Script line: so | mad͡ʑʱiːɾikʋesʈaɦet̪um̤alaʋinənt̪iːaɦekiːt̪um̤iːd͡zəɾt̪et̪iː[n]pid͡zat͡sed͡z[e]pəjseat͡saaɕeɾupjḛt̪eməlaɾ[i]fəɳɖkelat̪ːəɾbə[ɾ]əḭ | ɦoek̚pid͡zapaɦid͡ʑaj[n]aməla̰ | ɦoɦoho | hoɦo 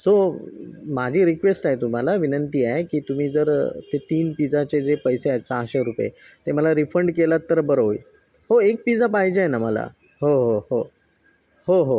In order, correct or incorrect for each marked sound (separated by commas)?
correct, correct, correct, correct, correct